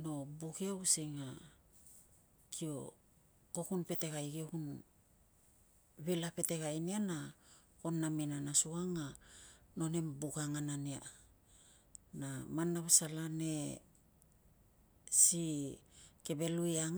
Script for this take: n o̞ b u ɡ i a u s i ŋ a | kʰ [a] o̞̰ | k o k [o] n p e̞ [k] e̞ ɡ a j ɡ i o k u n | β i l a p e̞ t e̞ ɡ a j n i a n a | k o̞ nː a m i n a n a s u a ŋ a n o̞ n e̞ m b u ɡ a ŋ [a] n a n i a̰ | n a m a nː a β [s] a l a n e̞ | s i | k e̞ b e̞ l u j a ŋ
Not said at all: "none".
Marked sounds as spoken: i, u, t, a, s

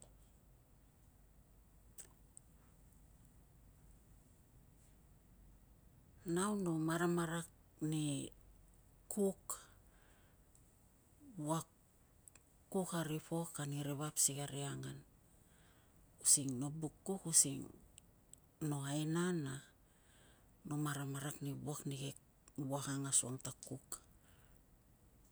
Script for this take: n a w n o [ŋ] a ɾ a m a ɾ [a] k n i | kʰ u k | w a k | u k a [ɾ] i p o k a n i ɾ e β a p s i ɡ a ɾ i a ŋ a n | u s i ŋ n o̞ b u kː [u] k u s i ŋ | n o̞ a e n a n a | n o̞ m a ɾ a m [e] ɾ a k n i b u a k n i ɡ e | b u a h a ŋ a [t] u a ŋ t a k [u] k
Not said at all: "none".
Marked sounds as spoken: m, a, ɾ, u, a, s, u

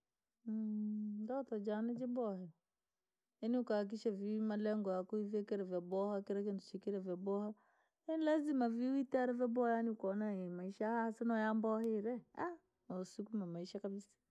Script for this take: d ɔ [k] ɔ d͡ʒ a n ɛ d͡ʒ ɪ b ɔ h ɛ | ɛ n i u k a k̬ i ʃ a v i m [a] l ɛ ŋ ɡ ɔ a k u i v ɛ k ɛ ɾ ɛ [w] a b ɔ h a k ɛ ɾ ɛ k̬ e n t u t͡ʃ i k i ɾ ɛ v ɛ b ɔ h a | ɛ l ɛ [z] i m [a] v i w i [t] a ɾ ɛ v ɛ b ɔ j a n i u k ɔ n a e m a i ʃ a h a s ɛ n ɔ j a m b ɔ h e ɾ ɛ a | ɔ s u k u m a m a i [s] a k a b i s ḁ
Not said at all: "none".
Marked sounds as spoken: t, a, v, z, a, t, ʃ

